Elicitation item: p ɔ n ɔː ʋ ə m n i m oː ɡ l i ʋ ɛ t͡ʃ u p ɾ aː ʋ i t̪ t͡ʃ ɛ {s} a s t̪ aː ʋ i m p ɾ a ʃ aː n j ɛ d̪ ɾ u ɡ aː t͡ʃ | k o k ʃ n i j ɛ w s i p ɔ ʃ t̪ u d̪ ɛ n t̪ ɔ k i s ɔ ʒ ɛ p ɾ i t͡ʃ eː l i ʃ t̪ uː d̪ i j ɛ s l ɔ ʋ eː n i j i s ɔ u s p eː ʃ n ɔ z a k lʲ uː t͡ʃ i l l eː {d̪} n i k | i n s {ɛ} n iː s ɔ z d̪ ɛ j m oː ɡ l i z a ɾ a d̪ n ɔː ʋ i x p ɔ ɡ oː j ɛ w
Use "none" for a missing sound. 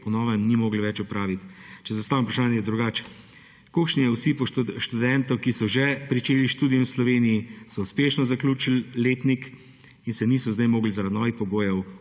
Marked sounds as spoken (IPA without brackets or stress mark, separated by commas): z, t̪, ɛ